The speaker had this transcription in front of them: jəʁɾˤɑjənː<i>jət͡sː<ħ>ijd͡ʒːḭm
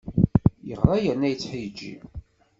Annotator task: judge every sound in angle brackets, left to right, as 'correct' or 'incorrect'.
incorrect: æ, correct

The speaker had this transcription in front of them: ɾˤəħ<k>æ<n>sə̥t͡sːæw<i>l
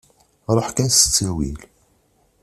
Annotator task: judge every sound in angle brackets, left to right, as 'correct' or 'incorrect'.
correct, correct, correct

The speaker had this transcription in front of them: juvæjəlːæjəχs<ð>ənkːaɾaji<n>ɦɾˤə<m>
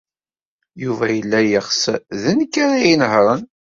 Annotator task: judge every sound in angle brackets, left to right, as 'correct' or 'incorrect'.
correct, correct, incorrect: n

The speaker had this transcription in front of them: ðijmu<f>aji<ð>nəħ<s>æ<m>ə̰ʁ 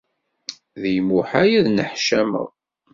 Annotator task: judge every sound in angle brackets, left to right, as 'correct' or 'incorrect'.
incorrect: ħ, correct, incorrect: ʃ, correct

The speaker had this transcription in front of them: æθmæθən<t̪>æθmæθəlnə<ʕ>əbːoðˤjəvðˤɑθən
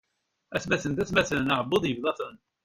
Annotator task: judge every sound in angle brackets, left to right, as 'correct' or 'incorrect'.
correct, correct

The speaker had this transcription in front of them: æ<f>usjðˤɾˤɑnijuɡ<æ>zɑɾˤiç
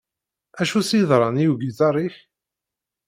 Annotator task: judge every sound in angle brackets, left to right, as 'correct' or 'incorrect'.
incorrect: ʃ, incorrect: i

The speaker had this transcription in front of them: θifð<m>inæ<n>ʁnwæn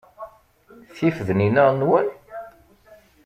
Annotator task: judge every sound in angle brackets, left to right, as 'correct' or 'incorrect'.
incorrect: n, incorrect: none

